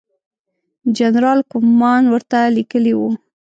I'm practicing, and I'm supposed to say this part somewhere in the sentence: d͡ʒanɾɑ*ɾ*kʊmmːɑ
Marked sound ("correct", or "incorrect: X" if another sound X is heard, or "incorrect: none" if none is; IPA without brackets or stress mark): incorrect: l